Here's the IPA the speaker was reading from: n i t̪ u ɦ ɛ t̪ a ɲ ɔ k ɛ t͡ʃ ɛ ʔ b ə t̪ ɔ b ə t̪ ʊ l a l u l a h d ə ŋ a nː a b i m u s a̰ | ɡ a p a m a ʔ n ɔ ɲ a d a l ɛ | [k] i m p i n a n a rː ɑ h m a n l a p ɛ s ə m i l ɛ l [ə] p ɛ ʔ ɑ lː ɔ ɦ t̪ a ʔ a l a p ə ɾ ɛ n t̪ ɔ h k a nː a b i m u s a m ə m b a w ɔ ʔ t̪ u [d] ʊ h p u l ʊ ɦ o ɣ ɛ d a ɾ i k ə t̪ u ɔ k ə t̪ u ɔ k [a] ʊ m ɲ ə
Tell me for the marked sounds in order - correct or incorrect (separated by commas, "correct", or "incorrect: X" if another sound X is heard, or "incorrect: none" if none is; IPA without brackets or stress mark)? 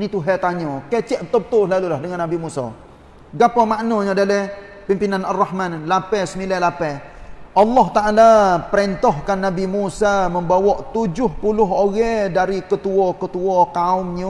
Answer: incorrect: p, incorrect: a, incorrect: d͡ʒ, correct